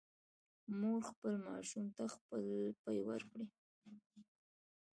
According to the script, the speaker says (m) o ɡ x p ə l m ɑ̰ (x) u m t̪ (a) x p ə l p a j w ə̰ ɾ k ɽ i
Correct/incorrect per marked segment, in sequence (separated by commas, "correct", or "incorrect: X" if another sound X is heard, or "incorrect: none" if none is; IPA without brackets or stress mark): correct, incorrect: ʃ, correct